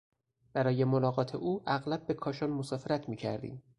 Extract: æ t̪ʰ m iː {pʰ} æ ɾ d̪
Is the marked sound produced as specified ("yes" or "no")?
no